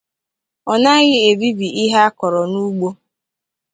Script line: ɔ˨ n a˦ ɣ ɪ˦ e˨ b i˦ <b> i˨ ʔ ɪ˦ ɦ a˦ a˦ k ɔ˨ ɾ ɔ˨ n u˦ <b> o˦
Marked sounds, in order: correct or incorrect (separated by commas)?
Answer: correct, incorrect